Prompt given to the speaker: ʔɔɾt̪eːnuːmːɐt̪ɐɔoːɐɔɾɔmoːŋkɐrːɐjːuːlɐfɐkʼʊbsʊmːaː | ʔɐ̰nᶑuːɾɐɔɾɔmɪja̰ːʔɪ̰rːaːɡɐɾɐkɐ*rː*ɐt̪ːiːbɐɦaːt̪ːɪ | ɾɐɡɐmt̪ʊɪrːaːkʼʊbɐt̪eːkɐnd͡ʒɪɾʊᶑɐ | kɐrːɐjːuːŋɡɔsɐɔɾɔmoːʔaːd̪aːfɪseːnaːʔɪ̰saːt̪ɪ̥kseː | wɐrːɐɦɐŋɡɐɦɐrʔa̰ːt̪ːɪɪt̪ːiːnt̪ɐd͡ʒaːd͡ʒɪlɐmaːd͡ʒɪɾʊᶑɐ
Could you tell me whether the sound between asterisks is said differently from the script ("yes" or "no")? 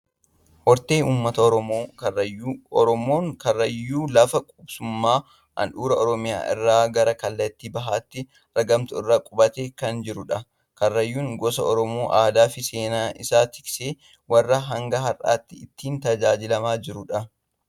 yes